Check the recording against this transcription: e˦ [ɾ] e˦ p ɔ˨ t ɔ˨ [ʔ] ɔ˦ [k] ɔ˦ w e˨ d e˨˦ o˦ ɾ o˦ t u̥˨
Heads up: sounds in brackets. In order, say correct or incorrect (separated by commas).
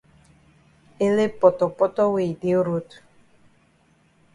incorrect, incorrect, incorrect